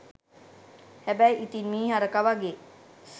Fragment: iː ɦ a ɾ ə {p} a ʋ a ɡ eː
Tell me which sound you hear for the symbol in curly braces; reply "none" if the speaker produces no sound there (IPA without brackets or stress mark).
k